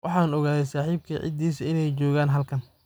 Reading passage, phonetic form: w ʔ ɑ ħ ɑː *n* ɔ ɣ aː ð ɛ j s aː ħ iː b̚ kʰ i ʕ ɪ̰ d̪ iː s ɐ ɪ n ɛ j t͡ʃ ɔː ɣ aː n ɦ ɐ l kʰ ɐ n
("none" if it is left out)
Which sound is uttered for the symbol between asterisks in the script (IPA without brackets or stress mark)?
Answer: n